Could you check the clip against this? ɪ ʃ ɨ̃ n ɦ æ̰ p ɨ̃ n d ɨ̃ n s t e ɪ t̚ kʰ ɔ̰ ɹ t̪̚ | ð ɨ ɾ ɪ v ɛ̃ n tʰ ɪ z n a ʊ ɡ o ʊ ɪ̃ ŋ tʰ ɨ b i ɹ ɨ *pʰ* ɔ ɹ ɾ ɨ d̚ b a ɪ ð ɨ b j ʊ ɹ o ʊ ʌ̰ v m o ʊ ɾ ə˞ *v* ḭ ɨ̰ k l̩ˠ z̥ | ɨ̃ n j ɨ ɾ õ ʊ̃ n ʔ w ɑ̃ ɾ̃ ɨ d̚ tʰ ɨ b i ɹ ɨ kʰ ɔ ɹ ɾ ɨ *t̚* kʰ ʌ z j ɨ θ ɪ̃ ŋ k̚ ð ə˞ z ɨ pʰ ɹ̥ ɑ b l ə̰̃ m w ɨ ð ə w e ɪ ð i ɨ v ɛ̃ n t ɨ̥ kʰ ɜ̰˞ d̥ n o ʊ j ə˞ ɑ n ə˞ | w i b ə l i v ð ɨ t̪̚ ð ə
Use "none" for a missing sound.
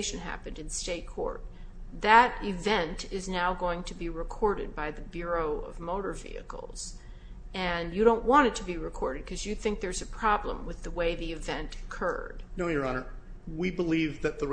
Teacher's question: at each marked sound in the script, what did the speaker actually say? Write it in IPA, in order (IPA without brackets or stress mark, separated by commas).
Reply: kʰ, v, d̚